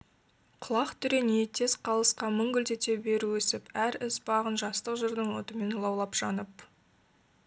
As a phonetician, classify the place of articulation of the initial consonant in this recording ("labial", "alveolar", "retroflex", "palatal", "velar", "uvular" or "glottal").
uvular